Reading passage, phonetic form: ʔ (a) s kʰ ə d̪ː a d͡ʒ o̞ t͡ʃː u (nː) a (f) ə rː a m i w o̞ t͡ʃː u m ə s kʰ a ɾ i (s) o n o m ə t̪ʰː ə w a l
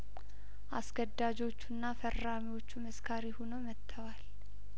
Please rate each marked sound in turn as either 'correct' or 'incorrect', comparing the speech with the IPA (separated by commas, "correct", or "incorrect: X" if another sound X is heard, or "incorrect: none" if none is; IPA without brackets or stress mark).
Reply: correct, correct, correct, incorrect: h